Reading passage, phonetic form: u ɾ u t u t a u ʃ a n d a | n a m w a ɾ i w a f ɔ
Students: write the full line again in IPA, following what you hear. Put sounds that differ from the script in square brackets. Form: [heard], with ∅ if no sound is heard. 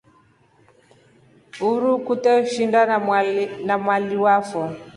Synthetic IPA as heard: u ɾ u [k] u t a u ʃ [i] n d a | n a m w a [l] i w a f ɔ